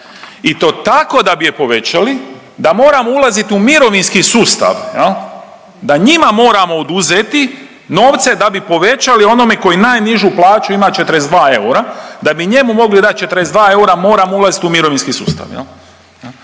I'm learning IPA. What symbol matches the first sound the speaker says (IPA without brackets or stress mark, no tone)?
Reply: i